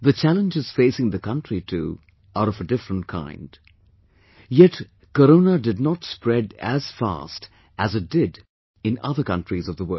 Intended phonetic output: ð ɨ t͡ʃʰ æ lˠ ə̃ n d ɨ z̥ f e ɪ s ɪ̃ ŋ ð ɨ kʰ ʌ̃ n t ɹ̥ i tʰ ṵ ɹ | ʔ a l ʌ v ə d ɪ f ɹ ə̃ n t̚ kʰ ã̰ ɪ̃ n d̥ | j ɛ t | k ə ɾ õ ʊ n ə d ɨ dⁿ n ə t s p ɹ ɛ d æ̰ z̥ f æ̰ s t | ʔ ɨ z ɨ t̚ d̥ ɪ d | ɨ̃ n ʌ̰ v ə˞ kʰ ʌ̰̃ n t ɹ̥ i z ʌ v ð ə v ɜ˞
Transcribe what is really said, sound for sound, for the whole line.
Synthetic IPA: ð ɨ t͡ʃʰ æ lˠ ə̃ n d͡ʒ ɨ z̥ f e ɪ s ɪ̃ ŋ ð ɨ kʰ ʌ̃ n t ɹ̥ i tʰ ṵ | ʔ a ɾ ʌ v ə d ɪ f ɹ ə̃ n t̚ kʰ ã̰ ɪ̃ n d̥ | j ɛ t | k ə ɾ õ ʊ n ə d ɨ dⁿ n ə t s p ɹ ɛ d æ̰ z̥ f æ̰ s t | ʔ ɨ z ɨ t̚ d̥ ɪ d | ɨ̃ n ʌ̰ ð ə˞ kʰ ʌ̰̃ n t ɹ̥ i z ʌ v ð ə w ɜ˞